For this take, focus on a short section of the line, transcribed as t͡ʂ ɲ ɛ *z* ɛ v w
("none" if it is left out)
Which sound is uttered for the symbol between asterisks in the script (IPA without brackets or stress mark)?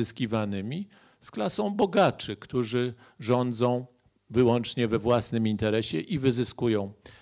v